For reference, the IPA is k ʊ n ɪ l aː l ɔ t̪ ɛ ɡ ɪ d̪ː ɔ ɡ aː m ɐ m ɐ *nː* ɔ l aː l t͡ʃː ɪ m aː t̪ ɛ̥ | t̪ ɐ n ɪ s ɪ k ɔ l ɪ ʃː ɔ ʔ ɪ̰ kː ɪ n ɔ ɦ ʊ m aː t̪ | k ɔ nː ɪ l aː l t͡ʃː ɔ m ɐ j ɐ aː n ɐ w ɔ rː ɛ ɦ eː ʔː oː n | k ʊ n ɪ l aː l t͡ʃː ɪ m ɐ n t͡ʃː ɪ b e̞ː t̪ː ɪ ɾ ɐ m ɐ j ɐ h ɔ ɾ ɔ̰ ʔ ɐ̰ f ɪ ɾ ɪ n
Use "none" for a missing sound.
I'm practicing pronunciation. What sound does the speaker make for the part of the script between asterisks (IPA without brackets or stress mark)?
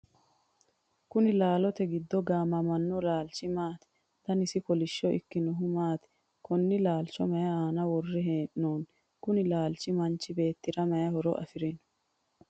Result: nː